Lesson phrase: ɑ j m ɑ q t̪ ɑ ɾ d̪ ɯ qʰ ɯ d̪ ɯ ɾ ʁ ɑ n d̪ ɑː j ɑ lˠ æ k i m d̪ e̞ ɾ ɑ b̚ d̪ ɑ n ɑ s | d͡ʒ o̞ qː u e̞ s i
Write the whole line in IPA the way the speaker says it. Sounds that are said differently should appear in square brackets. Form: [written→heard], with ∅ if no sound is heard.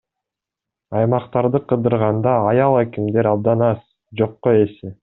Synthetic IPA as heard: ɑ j m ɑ q t̪ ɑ ɾ d̪ ɯ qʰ ɯ d̪ ɯ ɾ ʁ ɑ n d̪ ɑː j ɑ lˠ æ k i m d̪ e̞ ɾ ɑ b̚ d̪ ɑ n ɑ s | d͡ʒ o̞ qː [u→o] e̞ s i